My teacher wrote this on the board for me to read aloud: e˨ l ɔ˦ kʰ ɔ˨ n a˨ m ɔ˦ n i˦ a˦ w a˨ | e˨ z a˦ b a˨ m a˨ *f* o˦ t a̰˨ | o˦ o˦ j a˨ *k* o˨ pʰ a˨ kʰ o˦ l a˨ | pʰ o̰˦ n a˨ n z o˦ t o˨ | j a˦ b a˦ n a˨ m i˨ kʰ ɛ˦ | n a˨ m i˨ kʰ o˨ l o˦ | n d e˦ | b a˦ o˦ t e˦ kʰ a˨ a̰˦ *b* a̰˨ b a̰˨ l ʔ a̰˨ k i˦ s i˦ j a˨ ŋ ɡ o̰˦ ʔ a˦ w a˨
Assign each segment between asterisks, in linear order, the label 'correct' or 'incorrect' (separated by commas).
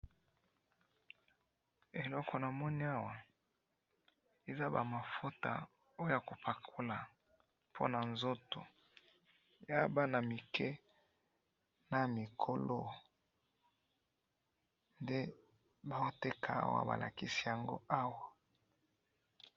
correct, correct, incorrect